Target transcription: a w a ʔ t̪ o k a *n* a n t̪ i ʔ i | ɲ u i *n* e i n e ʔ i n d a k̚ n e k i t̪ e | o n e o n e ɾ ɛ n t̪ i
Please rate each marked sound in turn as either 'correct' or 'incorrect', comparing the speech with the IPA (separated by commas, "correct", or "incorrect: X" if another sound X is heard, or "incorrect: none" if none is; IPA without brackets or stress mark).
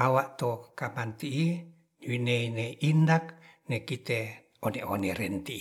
incorrect: m, correct